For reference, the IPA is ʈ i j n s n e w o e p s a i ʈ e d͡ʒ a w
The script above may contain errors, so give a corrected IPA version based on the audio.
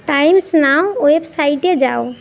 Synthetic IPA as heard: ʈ a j m s n a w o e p s a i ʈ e d͡ʒ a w